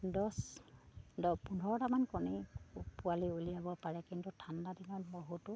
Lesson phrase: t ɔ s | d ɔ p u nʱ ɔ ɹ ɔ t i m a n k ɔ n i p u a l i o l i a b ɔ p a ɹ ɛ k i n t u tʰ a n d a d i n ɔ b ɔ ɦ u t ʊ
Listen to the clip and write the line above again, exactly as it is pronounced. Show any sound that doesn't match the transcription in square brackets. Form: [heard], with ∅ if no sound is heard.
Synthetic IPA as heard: [d] ɔ s | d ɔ p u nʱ ɔ ɹ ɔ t [a] m a n k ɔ n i p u a l i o l i a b ɔ p a ɹ ɛ k i n t u tʰ a n d a d i n ɔ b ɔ ɦ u t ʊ

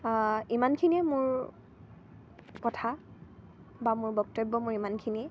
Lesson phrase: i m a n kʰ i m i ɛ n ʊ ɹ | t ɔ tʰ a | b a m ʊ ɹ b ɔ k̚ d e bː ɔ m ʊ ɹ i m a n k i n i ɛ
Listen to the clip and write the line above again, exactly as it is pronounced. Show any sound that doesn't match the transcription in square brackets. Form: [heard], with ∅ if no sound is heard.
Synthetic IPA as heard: i m a n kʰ i [n] i ɛ [m] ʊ ɹ | [k] ɔ tʰ a | b a m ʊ ɹ b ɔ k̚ [t] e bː ɔ m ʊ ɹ i m a n [kʰ] i n i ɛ

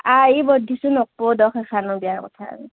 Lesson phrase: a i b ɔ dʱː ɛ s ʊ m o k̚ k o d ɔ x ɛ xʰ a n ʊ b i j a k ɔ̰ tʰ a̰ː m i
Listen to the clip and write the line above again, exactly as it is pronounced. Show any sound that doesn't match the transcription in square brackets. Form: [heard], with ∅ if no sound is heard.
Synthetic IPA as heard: a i b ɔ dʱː [i] s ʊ [n] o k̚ [p] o d ɔ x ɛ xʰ a n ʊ b i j a k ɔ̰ tʰ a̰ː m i

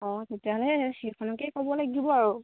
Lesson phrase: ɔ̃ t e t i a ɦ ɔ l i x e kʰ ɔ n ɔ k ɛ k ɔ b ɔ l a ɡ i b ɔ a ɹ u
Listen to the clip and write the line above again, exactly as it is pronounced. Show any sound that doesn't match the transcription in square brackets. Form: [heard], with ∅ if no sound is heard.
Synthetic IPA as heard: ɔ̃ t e t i a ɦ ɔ l [ɛ] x e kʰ ɔ n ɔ k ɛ k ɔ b ɔ l a ɡ i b ɔ a ɹ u

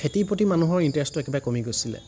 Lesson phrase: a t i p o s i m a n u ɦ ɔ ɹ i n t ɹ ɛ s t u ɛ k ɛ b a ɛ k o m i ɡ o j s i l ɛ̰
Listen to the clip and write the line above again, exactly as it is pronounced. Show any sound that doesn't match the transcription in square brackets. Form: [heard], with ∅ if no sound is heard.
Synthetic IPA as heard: [e] t i p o [t] i m a n u ɦ ɔ ɹ i n t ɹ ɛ s t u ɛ k ɛ b a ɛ k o m i ɡ o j s i l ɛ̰

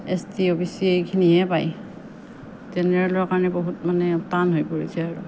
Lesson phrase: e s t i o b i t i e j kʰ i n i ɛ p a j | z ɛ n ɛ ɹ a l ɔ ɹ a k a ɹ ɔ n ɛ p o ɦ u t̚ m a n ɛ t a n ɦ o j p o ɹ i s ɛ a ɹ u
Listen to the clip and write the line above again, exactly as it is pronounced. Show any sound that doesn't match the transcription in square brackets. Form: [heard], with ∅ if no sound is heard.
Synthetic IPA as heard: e s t i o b i [s] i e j kʰ i n i ɛ p a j | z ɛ n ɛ ɹ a l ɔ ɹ a k a ɹ ɔ n ɛ [b] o ɦ u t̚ m a n ɛ t a n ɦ o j p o ɹ i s ɛ a ɹ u

